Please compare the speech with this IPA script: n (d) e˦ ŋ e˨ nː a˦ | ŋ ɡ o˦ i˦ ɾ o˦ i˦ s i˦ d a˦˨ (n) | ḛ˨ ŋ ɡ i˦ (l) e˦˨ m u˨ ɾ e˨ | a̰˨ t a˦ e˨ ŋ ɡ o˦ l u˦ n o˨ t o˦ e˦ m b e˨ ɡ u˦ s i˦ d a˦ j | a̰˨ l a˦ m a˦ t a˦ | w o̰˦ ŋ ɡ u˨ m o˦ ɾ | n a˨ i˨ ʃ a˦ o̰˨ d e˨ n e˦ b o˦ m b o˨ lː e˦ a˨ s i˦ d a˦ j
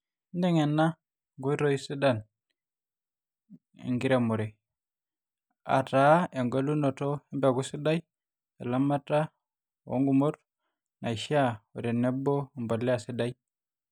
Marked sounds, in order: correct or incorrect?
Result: correct, correct, incorrect: ɾ

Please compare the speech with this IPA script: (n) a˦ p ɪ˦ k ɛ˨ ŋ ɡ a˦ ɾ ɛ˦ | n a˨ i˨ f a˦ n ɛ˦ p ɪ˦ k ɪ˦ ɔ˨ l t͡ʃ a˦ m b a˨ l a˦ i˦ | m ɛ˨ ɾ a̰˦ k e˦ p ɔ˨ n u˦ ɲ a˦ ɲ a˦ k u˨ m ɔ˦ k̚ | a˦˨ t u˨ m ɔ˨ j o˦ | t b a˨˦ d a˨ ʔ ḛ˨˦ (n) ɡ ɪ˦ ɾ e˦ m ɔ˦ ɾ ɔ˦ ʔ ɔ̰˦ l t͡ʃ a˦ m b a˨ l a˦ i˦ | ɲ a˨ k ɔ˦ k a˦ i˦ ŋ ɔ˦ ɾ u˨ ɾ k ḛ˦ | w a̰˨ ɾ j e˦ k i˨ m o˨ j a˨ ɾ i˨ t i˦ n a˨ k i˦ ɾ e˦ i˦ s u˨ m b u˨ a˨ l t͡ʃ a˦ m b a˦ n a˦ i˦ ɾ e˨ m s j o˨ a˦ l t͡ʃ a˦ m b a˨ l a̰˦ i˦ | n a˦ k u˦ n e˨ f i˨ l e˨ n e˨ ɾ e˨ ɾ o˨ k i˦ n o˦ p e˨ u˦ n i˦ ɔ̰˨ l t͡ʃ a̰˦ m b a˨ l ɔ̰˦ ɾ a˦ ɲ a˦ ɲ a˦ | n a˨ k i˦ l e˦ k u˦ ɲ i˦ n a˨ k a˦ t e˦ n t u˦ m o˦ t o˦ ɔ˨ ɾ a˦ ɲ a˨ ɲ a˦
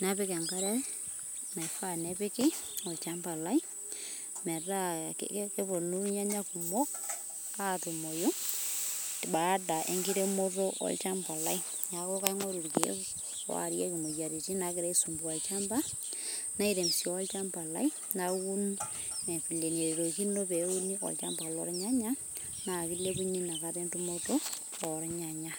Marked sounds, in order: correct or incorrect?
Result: correct, incorrect: ŋ

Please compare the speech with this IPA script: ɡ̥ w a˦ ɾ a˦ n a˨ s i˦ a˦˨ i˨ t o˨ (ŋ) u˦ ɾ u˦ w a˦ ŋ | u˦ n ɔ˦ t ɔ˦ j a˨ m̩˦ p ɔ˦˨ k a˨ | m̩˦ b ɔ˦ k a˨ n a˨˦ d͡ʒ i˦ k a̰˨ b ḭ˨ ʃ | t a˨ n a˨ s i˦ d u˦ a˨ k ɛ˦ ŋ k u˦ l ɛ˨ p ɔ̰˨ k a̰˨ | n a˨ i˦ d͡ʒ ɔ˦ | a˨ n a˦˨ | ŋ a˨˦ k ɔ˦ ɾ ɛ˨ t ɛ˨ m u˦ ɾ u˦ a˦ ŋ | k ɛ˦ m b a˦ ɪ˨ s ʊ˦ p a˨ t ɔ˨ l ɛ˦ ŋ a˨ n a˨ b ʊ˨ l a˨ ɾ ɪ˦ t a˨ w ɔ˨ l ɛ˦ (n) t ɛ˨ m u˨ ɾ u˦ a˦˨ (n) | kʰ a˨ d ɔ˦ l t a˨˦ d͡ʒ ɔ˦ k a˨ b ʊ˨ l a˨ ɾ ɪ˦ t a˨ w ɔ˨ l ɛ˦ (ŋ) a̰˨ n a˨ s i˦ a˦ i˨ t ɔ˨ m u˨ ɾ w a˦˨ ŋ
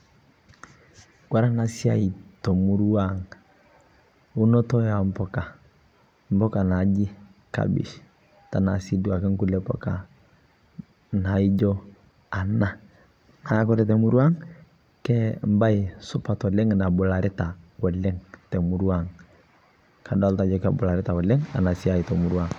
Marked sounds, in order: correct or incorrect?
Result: incorrect: m, incorrect: ŋ, incorrect: ŋ, correct

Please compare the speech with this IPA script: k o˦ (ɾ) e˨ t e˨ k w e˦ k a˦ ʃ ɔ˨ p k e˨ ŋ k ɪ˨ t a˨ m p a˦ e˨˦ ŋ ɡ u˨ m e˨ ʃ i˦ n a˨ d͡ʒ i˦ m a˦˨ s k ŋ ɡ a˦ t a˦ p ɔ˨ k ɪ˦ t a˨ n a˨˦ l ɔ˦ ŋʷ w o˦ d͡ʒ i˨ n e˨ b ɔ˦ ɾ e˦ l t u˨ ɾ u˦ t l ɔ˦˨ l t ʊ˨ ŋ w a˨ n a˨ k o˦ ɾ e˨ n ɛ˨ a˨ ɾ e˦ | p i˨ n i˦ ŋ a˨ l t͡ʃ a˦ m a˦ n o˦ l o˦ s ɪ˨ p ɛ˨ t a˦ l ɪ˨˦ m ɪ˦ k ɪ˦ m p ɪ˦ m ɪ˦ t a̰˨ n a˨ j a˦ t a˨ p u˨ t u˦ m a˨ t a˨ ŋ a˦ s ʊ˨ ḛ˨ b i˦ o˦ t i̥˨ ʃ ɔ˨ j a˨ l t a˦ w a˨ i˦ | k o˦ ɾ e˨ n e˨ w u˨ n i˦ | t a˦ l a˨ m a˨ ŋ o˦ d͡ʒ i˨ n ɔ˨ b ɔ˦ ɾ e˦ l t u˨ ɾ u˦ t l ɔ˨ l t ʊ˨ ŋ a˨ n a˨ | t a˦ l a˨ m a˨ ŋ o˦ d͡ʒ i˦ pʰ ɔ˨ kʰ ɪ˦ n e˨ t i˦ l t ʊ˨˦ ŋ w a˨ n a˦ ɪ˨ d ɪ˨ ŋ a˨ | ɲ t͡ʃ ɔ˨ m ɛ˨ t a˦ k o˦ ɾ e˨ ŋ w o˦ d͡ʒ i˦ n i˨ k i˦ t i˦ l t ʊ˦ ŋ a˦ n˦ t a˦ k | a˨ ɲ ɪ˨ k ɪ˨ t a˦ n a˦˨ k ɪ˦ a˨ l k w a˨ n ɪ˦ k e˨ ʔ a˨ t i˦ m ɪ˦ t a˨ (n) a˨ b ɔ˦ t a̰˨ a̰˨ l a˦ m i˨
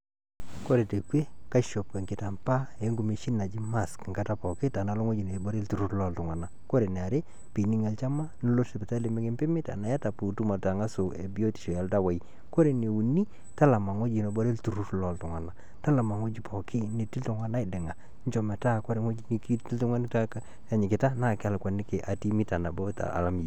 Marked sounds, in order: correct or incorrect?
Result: correct, correct

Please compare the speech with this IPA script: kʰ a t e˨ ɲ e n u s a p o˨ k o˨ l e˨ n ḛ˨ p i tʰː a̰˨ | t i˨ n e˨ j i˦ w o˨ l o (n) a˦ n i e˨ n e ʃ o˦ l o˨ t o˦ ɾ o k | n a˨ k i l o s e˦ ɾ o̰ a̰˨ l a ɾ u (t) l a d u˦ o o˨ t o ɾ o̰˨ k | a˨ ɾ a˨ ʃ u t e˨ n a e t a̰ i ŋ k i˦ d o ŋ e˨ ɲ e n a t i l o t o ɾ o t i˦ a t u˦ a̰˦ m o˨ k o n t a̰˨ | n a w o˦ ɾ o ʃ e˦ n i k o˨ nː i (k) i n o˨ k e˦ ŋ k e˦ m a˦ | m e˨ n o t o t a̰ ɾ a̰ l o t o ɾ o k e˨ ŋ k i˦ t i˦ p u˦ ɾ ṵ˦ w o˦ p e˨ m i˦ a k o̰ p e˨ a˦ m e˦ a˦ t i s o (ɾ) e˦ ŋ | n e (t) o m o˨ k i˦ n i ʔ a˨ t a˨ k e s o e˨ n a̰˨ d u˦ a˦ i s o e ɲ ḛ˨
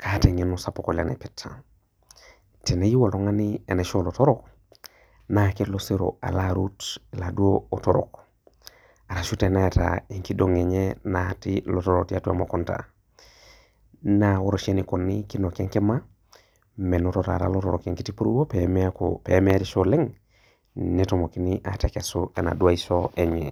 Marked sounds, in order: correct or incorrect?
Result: incorrect: ŋ, correct, correct, incorrect: l, correct

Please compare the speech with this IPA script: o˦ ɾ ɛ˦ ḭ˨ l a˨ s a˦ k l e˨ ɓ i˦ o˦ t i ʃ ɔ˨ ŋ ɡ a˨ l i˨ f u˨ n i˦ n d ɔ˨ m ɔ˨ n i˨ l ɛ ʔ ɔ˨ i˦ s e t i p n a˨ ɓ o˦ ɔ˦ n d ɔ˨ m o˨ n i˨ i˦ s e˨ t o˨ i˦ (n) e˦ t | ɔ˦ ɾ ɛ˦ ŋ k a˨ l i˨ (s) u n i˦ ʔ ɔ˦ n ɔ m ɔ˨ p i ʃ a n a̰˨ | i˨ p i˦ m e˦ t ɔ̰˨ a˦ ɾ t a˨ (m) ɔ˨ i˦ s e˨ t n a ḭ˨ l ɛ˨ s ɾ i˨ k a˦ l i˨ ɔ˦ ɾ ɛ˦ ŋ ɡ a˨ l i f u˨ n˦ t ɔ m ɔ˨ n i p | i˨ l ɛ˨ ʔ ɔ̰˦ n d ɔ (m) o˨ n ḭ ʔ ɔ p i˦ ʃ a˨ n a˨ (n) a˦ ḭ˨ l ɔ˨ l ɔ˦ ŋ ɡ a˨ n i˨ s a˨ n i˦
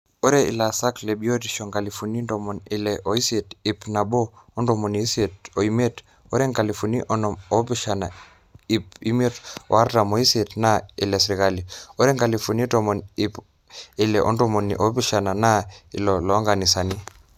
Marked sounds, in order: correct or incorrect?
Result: incorrect: m, incorrect: f, correct, correct, correct

